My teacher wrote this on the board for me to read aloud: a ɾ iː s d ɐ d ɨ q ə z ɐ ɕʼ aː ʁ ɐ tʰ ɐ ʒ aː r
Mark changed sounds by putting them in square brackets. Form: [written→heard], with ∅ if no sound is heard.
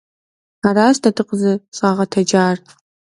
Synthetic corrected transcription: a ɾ [iː→aː] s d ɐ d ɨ q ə z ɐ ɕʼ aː ʁ ɐ tʰ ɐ [ʒ→d͡ʒ] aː r